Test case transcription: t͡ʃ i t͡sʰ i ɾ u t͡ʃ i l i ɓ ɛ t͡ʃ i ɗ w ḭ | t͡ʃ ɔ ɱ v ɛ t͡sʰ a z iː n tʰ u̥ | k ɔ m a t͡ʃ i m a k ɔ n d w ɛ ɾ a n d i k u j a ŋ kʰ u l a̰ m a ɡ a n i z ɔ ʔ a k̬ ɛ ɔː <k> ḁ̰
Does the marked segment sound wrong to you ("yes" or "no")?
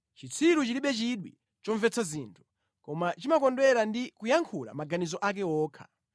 yes